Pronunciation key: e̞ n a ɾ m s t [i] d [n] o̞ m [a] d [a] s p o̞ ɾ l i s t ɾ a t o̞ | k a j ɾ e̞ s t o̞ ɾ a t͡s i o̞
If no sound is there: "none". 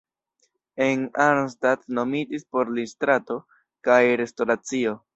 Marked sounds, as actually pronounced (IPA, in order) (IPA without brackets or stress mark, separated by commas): a, n, i, i